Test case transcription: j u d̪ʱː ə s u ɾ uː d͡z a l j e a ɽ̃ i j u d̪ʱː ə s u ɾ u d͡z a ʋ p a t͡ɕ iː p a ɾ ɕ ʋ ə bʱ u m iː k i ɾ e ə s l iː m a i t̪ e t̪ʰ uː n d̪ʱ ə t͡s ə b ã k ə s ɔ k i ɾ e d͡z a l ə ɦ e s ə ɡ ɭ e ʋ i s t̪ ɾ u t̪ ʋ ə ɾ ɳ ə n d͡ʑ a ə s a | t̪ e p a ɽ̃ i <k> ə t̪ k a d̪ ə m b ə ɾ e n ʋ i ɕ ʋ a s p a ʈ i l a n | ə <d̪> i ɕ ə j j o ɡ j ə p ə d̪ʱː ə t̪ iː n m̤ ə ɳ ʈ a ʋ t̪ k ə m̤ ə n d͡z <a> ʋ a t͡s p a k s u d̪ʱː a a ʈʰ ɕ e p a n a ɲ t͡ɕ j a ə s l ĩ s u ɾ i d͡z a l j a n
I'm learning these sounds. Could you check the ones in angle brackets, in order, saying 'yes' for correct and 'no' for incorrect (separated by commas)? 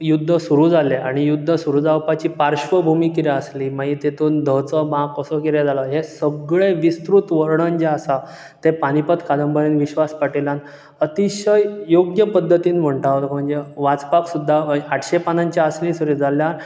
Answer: no, no, no